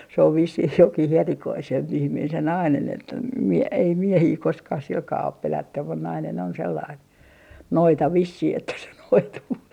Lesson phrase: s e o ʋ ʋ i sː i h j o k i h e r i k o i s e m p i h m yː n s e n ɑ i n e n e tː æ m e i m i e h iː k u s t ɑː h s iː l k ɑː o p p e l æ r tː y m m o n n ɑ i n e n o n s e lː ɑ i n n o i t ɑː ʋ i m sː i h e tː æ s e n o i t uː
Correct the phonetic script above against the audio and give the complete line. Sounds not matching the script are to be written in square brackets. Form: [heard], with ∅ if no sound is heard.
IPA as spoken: s e o ʋ ʋ i sː i h j o k i h e r i k o i s e m p i h m [iː] n s e n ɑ i n e n e tː æ m e i m i e h iː k [o] s [k] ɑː h s [i] l k ɑː o p p e l æ [∅] tː y m m [u] n n ɑ i n e n o n s e lː ɑ i n n o i t [ɑ] ʋ i [∅] sː i h e tː æ s e n o i t uː